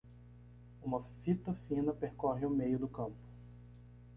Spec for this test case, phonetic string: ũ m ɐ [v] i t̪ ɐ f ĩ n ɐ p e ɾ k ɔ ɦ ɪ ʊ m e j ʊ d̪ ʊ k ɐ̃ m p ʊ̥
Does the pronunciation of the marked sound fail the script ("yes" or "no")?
yes